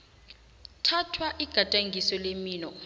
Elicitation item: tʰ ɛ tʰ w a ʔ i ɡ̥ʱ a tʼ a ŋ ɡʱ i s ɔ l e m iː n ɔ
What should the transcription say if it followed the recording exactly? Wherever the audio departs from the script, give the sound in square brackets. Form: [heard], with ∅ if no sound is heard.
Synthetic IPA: tʰ [a] tʰ w a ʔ i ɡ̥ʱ a tʼ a ŋ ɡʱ i s ɔ l e m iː n ɔ